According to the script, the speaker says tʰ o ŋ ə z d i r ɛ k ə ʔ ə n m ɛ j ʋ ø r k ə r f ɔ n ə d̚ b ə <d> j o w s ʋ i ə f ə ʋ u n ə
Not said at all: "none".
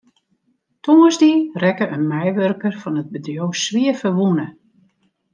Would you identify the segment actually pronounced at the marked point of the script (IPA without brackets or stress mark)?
d